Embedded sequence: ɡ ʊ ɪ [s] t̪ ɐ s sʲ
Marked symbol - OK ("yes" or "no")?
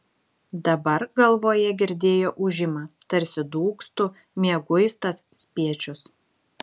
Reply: yes